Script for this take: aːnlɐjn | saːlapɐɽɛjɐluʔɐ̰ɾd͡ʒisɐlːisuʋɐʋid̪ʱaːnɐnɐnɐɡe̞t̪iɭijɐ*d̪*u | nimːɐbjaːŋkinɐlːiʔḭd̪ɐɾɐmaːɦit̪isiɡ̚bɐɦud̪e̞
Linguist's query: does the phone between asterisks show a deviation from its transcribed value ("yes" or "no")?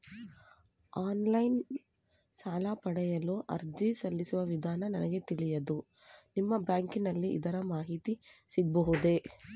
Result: no